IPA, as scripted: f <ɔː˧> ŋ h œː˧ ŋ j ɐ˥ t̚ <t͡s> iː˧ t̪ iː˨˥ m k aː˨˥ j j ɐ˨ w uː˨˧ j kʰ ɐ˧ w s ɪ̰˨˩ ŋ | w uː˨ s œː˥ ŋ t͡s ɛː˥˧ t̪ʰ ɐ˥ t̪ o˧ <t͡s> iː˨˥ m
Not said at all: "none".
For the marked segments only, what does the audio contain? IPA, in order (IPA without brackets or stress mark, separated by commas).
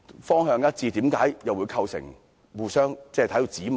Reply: ɔː˥, t͡s, t͡s